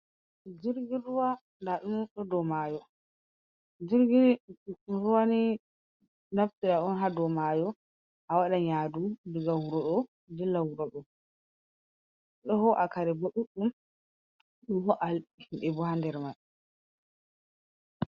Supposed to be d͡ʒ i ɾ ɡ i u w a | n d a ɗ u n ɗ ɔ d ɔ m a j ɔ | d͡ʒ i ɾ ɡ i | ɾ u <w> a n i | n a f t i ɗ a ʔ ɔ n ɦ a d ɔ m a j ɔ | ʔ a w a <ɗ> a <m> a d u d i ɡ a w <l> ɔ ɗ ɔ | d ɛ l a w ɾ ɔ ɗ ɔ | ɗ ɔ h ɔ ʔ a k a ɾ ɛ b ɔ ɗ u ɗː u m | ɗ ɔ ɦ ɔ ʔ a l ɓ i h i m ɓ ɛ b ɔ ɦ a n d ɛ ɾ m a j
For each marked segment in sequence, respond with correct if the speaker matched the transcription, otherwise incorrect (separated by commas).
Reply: correct, correct, incorrect, incorrect